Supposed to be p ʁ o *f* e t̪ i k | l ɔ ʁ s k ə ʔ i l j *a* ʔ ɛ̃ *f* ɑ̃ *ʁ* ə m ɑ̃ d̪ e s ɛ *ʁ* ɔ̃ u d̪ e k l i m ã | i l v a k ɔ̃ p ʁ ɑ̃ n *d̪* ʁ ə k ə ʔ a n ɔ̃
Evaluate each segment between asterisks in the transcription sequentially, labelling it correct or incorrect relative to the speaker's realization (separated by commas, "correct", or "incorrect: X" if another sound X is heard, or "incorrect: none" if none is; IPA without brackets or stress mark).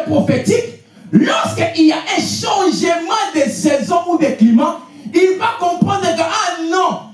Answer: correct, correct, incorrect: ʃ, incorrect: ʒ, incorrect: z, correct